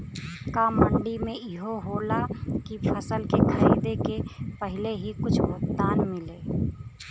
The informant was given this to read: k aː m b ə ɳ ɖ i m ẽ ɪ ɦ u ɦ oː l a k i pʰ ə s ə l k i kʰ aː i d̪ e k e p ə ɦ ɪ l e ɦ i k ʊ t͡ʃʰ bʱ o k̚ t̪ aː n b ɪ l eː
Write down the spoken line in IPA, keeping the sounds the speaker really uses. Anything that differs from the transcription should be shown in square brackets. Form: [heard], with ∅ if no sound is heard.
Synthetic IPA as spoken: k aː m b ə ɳ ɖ i m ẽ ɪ ɦ [o] ɦ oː l a k i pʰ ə s ə l k [e] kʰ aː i d̪ e k e p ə ɦ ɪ l e ɦ i k ʊ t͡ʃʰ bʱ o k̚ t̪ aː n [m] ɪ l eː